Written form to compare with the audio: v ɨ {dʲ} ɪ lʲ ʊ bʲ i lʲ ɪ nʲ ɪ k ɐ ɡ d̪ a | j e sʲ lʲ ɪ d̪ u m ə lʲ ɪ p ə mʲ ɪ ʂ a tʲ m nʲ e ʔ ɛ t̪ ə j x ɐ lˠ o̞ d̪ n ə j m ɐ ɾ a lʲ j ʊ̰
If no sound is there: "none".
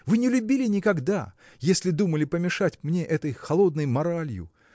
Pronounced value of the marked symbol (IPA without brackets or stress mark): nʲ